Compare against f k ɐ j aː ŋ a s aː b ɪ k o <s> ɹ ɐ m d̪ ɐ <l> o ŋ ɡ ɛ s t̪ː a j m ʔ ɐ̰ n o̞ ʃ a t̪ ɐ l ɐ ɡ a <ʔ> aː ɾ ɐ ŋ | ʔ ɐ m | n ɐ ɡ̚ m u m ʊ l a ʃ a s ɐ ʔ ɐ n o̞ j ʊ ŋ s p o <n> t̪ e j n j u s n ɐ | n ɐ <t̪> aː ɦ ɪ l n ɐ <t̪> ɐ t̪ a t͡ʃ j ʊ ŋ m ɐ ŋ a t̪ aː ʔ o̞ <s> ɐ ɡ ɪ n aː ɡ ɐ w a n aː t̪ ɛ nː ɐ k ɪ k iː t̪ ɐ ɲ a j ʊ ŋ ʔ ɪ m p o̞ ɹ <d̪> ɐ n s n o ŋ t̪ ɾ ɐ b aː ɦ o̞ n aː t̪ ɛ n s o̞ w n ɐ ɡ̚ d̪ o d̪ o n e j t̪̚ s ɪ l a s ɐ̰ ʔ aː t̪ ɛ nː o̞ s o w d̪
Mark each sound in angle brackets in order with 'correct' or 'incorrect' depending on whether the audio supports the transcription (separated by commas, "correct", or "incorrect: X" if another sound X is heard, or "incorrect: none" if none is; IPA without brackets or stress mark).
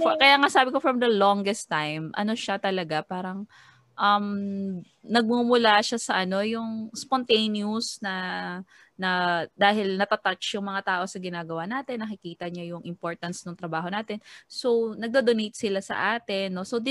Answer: incorrect: f, correct, incorrect: p, correct, incorrect: d̪, correct, correct, incorrect: t̪